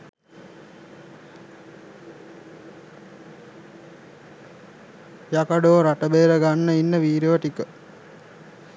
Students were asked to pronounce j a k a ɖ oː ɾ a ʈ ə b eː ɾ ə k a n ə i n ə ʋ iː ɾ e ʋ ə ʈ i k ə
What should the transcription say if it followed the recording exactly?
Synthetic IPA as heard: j a k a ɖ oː ɾ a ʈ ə b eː ɾ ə ɡ a nː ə i nː ə ʋ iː ɾ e ʋ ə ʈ i k ə